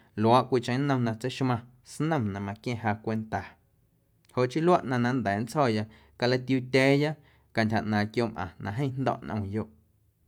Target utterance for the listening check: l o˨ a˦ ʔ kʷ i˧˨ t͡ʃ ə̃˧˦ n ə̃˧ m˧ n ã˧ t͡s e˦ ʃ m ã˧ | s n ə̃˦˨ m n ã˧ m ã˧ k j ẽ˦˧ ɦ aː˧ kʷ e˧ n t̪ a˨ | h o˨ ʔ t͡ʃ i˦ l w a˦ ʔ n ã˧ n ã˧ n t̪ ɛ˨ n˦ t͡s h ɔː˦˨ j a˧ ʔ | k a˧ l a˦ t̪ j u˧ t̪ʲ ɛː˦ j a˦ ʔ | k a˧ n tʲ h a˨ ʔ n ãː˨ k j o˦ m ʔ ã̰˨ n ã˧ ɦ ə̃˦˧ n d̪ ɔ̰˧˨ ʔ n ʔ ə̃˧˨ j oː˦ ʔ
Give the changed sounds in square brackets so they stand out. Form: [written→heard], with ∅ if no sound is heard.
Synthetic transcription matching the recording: l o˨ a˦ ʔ kʷ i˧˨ t͡ʃ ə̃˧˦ n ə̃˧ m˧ n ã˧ t͡s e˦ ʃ m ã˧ | s n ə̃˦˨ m n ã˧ m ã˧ k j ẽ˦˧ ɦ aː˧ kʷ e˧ n t̪ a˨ | h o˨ ʔ t͡ʃ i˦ l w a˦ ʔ n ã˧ n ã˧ n [t̪→d̪] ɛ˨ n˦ t͡s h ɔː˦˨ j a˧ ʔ | k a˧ l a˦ t̪ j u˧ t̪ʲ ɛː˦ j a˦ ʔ | k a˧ n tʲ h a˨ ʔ n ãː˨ k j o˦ m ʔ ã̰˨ n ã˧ ɦ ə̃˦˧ n d̪ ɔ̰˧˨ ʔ n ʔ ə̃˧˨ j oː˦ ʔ